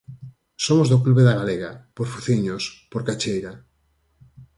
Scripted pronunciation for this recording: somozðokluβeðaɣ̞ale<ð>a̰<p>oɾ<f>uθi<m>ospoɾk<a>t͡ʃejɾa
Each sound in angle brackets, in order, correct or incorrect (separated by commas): incorrect, correct, correct, incorrect, correct